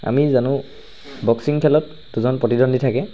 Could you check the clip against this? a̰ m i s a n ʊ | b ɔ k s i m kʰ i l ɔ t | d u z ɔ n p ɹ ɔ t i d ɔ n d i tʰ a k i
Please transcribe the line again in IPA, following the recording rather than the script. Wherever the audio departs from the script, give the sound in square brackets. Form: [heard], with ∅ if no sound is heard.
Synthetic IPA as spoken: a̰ m i [z] a n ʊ | b ɔ k s i [ŋ] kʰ [ɛ] l ɔ t | d u z ɔ n p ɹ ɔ t i d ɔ n d i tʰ a k [ɛ]